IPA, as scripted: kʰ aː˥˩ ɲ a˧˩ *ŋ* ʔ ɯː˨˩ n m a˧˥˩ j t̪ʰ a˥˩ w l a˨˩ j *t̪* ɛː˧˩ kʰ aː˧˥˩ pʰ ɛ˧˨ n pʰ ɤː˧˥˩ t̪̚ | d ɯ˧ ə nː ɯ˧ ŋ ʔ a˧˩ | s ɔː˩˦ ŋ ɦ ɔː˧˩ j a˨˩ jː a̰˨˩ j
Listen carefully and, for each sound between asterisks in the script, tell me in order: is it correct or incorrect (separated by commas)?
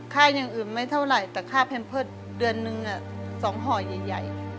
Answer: correct, correct